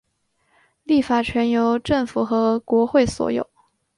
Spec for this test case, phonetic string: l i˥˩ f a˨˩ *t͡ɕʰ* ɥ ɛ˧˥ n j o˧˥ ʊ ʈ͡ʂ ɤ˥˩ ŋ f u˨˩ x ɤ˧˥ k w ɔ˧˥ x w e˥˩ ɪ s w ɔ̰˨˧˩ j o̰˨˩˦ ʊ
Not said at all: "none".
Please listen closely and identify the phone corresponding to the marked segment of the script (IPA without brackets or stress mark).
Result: t͡ɕʰ